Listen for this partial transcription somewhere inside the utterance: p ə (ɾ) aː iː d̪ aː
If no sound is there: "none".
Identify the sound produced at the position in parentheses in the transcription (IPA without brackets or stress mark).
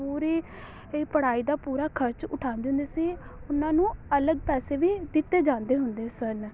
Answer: ɽ